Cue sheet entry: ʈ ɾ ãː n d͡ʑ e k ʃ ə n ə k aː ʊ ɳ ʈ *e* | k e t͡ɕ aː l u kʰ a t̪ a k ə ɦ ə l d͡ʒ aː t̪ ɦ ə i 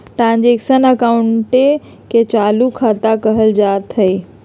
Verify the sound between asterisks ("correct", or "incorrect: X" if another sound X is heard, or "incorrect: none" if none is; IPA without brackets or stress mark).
correct